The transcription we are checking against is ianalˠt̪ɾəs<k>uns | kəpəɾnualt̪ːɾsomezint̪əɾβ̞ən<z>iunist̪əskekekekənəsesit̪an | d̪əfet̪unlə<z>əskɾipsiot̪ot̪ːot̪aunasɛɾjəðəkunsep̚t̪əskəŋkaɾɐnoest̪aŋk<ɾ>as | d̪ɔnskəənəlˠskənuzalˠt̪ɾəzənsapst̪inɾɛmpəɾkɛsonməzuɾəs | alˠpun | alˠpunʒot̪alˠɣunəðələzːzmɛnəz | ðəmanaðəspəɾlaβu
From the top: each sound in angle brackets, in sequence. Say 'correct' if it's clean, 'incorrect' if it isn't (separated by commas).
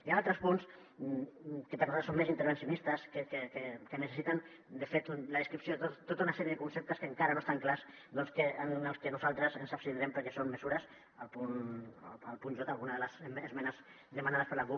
incorrect, incorrect, incorrect, incorrect